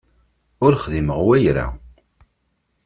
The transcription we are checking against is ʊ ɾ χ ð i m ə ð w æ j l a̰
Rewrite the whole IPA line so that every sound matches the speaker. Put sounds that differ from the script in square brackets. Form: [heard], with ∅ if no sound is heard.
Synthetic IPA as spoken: ʊ ɾ χ ð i m ə [ʁ] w æ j [ɾ] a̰